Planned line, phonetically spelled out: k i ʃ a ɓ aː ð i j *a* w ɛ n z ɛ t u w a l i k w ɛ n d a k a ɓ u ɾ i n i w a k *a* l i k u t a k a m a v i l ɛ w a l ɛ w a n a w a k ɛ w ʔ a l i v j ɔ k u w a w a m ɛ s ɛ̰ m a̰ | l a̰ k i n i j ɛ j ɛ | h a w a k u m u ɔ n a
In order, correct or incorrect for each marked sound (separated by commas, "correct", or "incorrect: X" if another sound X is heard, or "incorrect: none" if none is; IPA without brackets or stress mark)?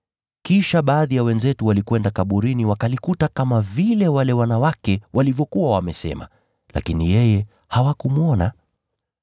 correct, correct